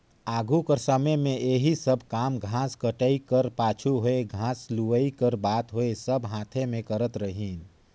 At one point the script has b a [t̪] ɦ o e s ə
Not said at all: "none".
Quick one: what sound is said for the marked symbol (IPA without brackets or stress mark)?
t̪